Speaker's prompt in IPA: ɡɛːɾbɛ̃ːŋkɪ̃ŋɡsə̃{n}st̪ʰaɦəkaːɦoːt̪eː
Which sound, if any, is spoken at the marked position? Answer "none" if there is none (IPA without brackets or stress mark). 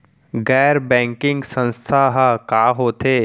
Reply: n